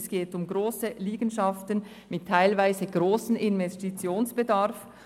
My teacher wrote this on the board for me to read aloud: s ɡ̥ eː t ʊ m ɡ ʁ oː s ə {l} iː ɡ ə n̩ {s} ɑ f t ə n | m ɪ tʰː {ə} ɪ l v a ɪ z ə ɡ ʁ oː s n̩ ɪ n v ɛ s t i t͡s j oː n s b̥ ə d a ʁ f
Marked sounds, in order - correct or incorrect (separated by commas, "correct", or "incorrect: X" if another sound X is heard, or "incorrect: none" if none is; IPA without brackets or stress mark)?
correct, incorrect: ʃ, incorrect: a